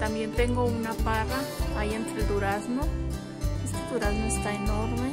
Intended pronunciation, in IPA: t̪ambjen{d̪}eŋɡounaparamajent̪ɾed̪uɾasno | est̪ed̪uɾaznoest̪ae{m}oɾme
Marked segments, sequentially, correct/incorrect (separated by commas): incorrect, incorrect